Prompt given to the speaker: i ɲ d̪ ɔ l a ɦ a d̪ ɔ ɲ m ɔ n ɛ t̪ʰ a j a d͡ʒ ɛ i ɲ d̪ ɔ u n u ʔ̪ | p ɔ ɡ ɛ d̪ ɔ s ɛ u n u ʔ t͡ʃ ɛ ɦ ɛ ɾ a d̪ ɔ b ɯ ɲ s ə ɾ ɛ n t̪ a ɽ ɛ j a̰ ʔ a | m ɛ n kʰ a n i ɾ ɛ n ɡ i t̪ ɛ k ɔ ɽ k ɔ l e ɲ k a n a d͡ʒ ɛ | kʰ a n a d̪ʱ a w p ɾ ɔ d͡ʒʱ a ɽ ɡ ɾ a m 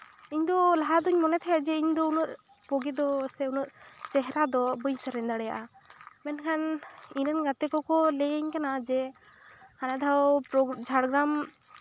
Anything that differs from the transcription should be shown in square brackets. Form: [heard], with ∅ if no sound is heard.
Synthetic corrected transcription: i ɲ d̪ ɔ l a ɦ a d̪ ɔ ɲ m ɔ n ɛ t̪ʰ a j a d͡ʒ ɛ i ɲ d̪ ɔ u n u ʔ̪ | p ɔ ɡ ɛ d̪ ɔ s ɛ u n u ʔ t͡ʃ ɛ ɦ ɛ ɾ a d̪ ɔ b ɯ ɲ s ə ɾ ɛ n [d̪] a ɽ ɛ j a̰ ʔ a | m ɛ n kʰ a n i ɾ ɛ n ɡ [a] t̪ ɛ k ɔ [∅] k ɔ l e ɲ k a n a d͡ʒ ɛ | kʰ a n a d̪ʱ a w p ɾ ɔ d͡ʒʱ a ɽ ɡ ɾ a m